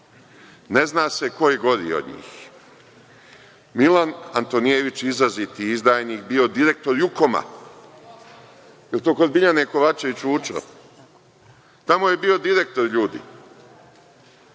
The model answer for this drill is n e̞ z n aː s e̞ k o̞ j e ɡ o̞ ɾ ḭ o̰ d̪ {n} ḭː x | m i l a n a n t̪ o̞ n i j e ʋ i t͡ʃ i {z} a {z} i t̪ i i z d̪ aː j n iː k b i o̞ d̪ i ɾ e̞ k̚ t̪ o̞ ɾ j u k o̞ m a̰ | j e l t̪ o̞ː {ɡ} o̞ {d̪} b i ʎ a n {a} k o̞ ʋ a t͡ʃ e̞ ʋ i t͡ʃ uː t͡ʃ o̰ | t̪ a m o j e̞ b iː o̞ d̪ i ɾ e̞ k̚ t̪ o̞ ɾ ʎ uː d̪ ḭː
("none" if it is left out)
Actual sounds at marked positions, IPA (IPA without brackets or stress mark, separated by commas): ɲ, z, z, k, d̪, e